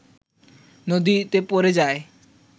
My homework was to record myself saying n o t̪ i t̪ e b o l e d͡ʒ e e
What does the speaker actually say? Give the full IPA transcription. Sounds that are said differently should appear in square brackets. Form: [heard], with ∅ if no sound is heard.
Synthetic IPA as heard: n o [d̪] i t̪ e [p] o [ɾ] e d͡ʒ [a] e